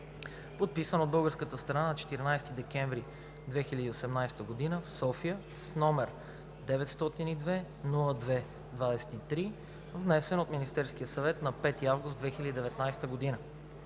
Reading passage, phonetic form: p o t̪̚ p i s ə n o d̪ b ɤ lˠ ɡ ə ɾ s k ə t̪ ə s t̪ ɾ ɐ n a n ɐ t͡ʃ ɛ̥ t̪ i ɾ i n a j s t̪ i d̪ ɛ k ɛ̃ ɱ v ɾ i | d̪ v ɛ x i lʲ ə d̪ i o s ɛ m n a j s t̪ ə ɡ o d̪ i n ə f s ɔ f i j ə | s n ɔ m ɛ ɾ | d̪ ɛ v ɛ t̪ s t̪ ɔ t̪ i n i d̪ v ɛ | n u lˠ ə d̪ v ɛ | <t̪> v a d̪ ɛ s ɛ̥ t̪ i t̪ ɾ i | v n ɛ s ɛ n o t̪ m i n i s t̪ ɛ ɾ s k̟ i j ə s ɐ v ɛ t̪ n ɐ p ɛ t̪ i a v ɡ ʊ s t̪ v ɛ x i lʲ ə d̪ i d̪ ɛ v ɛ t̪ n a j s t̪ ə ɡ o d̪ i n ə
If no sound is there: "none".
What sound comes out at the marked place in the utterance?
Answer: d̪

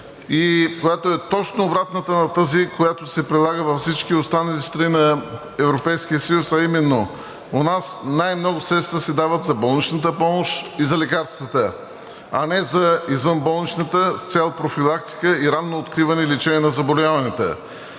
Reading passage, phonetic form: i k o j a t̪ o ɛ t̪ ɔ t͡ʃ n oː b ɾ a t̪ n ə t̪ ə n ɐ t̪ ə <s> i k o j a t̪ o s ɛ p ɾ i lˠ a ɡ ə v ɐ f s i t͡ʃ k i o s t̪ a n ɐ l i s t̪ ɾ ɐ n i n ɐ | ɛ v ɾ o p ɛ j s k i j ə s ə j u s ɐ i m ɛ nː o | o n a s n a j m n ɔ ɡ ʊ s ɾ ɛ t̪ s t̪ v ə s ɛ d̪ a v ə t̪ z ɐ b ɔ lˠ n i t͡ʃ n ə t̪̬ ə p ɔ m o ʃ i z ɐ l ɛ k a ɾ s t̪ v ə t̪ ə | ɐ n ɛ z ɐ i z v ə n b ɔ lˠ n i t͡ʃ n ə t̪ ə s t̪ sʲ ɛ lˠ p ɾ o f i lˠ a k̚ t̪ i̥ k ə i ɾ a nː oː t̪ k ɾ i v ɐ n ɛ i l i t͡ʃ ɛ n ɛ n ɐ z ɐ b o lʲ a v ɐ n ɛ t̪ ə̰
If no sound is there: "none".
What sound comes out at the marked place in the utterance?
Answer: z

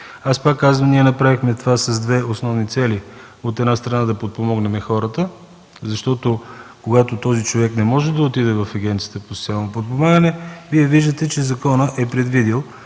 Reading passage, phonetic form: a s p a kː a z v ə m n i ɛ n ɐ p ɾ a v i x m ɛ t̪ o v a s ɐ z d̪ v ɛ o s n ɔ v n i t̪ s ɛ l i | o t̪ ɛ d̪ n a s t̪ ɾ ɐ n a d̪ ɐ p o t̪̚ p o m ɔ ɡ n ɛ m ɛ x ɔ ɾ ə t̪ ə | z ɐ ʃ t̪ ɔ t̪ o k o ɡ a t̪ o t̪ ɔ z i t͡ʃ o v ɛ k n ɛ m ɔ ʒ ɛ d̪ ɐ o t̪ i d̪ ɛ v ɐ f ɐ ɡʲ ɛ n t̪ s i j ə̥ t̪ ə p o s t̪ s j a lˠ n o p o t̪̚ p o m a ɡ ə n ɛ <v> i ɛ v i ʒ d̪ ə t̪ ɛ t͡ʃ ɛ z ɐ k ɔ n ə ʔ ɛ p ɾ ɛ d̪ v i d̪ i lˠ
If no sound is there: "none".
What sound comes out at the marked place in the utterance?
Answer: v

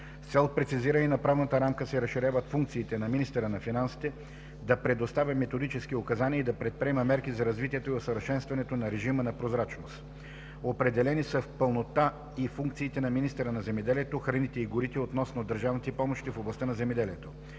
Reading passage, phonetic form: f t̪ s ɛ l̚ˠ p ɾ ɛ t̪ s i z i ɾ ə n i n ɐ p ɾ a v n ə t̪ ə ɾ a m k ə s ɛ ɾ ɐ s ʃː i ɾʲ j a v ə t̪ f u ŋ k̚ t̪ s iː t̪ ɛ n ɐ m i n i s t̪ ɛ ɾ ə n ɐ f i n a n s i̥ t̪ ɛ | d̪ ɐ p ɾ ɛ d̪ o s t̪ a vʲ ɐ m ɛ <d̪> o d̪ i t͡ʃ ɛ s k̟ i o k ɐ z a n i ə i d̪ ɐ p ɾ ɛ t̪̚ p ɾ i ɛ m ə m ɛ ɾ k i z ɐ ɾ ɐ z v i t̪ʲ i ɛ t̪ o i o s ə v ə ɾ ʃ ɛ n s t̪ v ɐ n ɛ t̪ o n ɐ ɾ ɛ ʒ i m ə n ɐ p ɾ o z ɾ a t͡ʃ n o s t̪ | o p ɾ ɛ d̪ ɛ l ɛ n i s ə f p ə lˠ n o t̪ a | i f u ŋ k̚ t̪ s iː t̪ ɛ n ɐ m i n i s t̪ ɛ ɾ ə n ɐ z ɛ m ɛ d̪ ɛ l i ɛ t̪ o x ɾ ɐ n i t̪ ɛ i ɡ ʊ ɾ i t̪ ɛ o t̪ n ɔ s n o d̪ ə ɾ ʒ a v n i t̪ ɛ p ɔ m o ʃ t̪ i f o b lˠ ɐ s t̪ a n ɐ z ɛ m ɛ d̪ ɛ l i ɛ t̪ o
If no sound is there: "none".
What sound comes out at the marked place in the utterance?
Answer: t̪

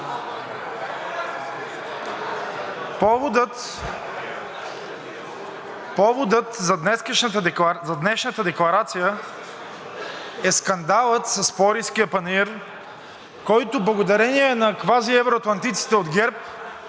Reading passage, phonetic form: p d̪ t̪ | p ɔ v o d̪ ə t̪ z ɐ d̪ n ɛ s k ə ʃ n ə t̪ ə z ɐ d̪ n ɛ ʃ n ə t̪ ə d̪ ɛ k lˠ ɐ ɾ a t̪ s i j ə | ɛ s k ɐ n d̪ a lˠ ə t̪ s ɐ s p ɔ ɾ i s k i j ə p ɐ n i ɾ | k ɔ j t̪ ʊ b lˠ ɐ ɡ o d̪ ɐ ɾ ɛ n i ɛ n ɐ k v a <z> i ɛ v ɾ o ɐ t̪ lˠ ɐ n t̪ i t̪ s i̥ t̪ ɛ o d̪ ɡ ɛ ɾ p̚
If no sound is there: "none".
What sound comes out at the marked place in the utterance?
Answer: z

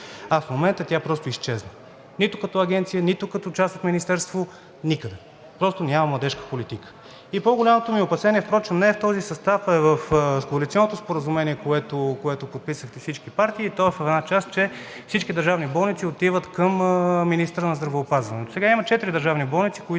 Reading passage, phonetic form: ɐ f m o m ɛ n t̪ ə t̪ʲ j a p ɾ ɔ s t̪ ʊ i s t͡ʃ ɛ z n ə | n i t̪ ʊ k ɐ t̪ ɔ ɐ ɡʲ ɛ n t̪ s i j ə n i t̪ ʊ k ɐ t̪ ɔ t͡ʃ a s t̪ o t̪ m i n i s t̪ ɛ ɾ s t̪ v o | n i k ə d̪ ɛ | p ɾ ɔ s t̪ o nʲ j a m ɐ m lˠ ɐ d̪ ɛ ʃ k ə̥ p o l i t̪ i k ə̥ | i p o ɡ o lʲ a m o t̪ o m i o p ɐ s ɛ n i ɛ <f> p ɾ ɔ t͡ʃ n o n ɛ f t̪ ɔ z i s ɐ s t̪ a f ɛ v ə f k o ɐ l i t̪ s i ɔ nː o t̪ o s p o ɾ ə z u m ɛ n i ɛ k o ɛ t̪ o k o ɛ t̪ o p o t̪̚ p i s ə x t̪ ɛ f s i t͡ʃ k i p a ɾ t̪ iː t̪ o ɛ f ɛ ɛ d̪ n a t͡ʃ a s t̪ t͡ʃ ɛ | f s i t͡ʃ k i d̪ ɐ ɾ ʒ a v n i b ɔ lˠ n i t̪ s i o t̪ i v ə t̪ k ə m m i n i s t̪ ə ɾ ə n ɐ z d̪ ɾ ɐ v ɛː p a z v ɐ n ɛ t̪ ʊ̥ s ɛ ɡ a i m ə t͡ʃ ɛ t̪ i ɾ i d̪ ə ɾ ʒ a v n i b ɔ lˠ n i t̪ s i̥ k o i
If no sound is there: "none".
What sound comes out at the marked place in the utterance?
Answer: f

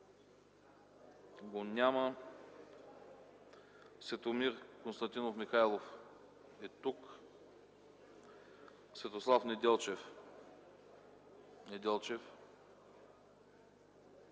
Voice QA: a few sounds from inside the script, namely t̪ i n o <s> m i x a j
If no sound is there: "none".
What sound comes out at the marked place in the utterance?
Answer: f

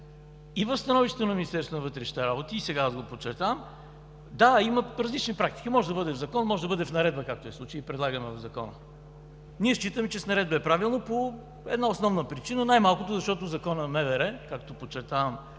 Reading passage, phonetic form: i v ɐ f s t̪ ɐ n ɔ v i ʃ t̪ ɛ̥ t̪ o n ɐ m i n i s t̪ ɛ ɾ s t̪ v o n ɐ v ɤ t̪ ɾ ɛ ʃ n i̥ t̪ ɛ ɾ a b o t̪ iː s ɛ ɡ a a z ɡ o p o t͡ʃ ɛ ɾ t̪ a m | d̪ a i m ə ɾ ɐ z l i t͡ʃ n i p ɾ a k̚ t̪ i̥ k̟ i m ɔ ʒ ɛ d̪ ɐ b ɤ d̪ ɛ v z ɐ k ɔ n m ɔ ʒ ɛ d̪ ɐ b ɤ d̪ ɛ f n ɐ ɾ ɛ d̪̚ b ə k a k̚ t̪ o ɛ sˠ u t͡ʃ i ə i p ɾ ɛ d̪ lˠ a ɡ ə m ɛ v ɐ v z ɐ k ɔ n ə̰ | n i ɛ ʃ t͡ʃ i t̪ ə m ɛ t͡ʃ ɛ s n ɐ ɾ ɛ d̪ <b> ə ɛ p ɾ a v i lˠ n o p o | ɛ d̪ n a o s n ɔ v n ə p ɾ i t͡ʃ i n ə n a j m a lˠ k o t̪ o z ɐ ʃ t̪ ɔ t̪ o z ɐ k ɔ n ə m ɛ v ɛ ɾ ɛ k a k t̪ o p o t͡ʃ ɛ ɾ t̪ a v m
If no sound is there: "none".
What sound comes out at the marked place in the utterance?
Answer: b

